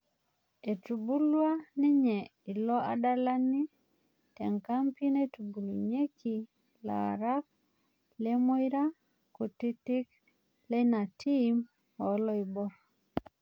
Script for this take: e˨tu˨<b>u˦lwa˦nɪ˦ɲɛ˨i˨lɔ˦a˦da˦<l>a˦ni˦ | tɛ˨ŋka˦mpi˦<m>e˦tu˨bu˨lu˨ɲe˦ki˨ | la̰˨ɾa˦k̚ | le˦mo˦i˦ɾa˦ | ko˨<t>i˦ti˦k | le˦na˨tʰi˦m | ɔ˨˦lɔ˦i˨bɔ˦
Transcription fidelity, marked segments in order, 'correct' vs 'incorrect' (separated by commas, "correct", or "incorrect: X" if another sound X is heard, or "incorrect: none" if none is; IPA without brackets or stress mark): correct, correct, incorrect: n, correct